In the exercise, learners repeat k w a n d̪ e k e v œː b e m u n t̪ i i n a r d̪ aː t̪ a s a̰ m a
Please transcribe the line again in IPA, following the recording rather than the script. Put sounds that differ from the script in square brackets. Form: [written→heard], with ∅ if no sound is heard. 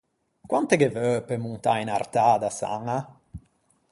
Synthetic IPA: k w a n [d̪→t̪] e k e v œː [b→p] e m u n t̪ [i→a] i n a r [d̪→t̪] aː [t̪→d̪] a s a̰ [m→ŋ] a